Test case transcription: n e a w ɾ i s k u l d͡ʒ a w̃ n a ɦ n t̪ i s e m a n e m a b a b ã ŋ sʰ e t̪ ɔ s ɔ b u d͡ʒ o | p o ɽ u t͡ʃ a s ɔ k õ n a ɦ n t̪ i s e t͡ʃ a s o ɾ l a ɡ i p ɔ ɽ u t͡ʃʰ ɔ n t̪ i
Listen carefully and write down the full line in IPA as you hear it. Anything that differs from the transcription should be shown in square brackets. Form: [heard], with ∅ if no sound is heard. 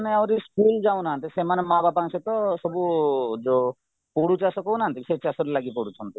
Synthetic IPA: n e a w ɾ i s k u l d͡ʒ a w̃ n a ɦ n t̪ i s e m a n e m a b a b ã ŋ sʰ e t̪ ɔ s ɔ b u d͡ʒ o | p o ɽ u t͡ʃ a s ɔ k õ n a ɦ n t̪ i s e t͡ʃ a s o ɾ l a ɡ i p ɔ ɽ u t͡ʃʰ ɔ n t̪ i